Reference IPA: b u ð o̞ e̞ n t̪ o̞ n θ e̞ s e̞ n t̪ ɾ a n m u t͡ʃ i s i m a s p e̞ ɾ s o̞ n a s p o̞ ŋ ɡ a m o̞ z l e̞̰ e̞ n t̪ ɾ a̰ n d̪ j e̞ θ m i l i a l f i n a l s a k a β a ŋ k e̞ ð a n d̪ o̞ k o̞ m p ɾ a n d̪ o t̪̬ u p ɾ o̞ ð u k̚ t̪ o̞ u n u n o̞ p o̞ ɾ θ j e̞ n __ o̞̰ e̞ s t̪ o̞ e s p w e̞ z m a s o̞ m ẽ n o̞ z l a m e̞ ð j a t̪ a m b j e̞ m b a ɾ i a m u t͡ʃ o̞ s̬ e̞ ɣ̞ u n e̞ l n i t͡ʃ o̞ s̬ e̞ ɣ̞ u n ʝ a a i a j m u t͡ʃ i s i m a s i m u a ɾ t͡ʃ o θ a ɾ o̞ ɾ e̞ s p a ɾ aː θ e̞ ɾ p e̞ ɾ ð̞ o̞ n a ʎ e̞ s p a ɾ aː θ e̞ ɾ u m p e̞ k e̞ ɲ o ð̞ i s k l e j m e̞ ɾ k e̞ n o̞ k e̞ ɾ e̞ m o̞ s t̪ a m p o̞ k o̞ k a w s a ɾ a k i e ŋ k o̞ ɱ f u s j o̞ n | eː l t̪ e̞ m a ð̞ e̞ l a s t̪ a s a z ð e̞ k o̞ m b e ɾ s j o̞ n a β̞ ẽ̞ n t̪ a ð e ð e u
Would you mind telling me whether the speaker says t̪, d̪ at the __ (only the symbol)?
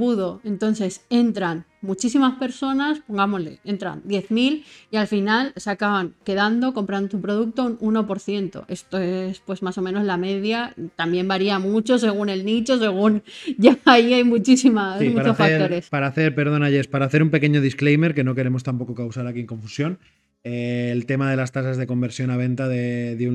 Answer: t̪